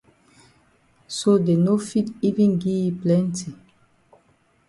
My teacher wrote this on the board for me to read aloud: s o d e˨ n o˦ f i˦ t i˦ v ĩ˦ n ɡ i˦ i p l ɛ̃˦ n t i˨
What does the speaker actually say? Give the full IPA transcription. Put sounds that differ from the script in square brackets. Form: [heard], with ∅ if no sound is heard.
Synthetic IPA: s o d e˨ n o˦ f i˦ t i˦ v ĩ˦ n ɡ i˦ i p l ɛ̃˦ n t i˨